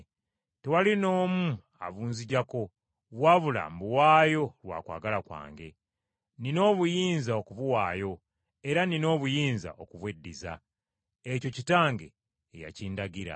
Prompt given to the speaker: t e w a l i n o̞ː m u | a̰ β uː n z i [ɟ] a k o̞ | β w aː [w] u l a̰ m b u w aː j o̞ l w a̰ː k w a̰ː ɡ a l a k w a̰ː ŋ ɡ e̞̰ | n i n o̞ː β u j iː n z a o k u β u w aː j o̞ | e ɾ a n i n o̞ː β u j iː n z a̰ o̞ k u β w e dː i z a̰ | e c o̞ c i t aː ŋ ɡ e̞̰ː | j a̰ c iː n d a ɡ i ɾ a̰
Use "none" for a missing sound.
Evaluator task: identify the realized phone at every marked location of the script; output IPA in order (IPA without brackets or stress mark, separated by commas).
ɟ, β